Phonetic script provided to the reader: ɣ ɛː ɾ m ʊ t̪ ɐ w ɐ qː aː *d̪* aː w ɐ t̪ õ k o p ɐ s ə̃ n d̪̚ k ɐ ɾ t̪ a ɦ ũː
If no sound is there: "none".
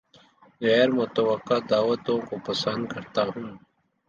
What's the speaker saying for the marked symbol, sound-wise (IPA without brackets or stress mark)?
d̪